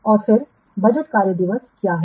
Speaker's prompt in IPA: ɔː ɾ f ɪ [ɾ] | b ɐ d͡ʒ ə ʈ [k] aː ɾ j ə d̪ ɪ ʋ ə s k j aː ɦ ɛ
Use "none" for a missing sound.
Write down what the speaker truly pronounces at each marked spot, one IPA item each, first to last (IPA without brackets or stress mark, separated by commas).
ɾ, k